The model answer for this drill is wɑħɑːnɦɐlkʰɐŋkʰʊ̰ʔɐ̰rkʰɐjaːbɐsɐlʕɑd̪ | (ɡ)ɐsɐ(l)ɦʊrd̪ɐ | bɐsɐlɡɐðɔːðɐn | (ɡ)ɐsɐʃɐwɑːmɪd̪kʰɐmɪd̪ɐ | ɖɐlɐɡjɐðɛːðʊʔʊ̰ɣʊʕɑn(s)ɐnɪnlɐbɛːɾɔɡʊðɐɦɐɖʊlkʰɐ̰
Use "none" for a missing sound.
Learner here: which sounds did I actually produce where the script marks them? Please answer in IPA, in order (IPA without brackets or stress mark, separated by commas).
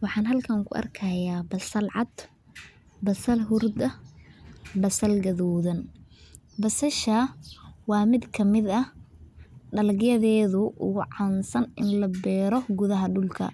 b, l, b, s